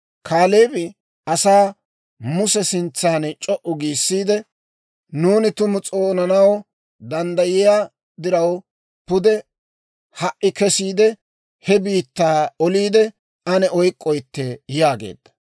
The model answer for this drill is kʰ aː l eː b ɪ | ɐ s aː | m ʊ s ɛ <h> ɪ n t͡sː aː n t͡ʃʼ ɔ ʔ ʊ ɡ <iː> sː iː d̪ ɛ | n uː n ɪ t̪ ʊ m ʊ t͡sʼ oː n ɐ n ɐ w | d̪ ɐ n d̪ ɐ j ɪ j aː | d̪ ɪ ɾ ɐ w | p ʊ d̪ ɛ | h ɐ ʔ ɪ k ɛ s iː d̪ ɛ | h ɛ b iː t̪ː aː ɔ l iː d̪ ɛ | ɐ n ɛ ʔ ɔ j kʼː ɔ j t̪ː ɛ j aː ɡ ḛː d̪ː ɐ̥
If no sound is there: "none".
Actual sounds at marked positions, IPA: s, iː

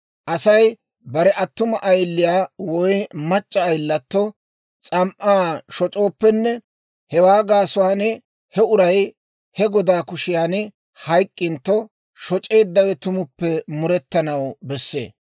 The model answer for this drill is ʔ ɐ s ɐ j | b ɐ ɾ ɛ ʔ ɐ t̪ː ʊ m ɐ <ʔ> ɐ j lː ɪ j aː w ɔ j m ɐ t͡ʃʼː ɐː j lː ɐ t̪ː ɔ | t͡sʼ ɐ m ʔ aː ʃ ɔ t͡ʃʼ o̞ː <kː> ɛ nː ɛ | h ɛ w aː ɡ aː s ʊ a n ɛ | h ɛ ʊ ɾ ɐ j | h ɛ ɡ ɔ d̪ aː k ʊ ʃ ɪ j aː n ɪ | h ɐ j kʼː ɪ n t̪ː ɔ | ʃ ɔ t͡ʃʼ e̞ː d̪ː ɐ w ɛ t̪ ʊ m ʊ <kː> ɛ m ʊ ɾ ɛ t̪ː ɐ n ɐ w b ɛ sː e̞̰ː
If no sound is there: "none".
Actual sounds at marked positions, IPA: ʔ, pː, pː

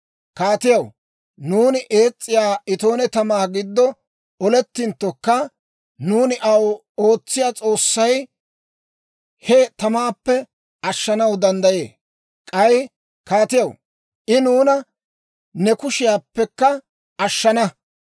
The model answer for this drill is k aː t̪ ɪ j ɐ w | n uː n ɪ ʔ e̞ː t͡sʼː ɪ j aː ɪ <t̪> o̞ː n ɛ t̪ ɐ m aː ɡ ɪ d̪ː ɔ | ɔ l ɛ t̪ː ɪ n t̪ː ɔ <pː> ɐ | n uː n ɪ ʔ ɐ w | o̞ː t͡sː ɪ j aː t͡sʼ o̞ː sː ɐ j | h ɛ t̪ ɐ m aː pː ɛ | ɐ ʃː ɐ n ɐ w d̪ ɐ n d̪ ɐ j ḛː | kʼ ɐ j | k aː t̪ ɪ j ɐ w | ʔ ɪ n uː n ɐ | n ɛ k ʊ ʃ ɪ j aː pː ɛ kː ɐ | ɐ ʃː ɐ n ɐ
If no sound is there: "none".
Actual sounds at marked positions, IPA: t̪, kː

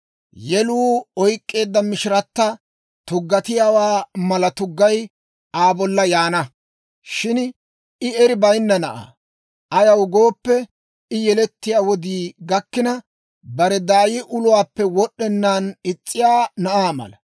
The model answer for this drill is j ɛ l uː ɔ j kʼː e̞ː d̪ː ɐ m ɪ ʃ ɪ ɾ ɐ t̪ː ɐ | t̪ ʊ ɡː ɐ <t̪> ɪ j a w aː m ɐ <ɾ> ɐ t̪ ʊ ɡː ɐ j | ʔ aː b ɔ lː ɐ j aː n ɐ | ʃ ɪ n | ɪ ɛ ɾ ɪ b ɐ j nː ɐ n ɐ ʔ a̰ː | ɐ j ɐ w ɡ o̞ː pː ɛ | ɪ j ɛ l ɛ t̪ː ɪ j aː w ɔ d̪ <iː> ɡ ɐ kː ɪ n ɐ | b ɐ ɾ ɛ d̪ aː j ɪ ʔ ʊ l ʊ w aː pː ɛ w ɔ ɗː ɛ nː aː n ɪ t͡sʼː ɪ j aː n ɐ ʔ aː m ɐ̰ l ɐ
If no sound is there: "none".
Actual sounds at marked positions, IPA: t̪, l, iː

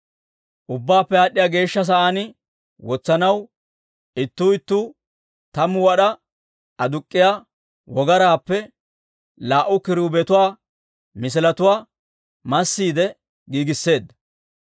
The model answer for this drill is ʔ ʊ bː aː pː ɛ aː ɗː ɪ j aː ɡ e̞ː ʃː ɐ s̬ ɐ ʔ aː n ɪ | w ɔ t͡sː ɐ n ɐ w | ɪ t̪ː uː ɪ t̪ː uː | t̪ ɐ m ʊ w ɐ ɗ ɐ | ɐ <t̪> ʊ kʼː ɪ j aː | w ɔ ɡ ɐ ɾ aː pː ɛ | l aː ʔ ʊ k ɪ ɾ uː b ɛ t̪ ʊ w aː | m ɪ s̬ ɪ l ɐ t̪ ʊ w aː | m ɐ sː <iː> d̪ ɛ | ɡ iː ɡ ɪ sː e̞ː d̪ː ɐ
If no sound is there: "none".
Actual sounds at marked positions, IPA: d̪, iː

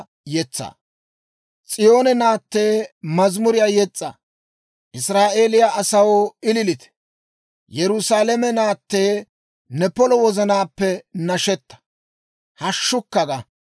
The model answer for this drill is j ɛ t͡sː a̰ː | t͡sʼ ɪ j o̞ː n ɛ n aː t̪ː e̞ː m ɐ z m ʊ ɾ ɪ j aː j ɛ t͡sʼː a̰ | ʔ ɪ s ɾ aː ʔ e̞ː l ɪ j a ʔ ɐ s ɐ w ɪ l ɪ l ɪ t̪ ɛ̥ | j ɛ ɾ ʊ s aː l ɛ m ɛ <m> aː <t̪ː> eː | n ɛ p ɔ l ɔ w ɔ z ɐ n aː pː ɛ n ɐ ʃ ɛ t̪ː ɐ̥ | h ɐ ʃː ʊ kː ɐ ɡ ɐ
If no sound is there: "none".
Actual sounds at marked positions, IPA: n, t̪ː

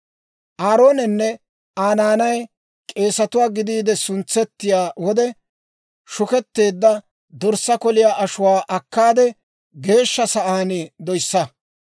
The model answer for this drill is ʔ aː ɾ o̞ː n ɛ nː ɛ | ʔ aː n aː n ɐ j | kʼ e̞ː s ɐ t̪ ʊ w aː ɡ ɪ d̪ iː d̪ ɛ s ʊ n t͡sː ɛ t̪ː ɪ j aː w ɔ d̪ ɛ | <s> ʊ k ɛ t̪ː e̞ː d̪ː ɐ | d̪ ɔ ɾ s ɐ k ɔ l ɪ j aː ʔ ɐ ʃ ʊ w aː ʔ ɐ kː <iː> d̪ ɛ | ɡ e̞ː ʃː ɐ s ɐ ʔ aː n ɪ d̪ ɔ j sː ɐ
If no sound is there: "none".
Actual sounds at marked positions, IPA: ʃ, aː

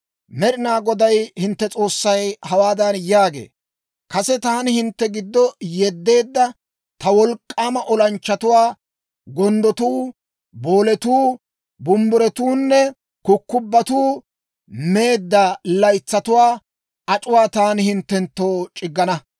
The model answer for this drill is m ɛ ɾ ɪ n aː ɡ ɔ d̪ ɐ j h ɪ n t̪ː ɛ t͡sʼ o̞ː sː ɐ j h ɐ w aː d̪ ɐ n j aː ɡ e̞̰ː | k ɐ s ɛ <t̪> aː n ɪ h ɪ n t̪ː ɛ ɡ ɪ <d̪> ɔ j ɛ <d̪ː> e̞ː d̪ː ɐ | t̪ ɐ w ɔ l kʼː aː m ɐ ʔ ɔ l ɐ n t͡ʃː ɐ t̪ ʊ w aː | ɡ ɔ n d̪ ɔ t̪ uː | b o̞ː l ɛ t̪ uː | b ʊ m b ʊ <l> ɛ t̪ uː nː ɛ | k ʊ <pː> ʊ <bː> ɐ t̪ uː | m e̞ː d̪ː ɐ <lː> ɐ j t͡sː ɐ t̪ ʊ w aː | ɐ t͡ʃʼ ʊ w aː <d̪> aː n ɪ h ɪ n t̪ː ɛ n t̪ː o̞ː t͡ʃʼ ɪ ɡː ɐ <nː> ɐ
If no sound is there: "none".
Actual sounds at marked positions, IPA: t̪, d̪ː, d̪ː, ɾ, kː, bː, l, t̪, n

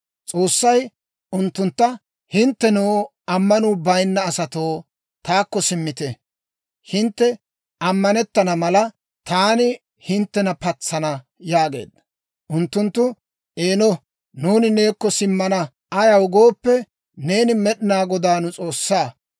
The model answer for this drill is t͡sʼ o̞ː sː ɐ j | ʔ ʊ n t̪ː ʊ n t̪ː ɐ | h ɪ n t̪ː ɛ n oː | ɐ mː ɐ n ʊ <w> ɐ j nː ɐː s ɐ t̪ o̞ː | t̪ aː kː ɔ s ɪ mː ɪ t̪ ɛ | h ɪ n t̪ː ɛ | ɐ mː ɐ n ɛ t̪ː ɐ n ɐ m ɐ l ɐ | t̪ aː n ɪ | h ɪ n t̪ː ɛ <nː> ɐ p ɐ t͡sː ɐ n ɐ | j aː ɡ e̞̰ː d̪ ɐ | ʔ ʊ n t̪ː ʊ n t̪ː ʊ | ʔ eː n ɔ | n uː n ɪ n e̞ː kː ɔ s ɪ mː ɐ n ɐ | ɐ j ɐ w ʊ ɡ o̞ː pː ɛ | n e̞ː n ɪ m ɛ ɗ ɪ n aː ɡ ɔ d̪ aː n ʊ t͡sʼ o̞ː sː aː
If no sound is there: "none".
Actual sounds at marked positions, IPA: b, n

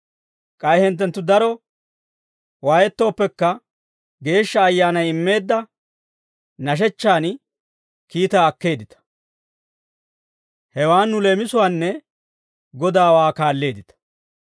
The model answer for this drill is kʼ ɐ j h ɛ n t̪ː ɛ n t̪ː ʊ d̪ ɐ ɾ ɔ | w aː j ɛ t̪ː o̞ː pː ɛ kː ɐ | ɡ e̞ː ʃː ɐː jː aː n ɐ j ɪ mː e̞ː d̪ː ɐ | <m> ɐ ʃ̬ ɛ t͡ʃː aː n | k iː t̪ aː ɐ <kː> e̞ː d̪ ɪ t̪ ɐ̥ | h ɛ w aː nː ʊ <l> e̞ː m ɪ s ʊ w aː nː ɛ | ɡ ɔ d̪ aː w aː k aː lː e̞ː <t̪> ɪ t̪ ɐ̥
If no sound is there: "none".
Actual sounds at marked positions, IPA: n, kː, l, d̪

